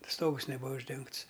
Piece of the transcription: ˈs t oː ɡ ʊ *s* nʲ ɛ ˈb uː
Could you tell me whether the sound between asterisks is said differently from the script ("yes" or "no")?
no